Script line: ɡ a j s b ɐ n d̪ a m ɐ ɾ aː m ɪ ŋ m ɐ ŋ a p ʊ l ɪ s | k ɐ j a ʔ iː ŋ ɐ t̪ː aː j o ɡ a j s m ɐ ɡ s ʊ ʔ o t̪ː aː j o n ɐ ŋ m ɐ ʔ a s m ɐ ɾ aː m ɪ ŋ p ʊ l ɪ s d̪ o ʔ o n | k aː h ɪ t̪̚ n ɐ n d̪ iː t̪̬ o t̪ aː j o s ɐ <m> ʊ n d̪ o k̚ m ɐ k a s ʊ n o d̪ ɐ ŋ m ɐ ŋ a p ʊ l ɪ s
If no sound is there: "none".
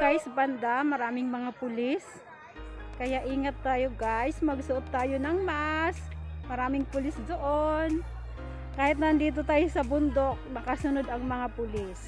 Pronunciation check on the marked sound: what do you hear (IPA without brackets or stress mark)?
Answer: b